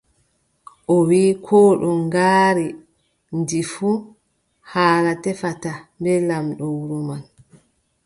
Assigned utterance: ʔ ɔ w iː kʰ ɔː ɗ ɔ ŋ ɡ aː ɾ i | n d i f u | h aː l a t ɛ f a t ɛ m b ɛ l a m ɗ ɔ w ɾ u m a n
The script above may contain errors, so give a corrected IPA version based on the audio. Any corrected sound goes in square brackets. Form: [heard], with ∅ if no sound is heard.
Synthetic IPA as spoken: ʔ ɔ w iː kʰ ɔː ɗ ɔ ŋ ɡ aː ɾ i | n d i f u | h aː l a t ɛ f a t [a] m b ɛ l a m ɗ ɔ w ɾ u m a n